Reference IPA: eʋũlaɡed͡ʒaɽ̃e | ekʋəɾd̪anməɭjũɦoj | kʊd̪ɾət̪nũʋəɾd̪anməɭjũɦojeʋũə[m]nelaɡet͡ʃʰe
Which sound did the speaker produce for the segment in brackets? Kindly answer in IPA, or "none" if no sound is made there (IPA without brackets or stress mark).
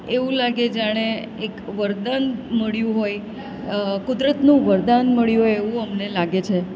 m